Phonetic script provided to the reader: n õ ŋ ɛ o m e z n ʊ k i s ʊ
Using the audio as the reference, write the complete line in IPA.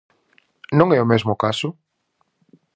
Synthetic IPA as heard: n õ ŋ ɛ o m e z m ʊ k a s ʊ